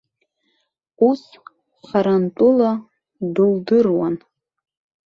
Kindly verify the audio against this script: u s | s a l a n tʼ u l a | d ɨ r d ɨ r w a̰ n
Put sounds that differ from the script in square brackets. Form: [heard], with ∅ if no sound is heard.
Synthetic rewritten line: u s | [χ] a [ɾ] a n tʼ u l a | d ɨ [l] d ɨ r w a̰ n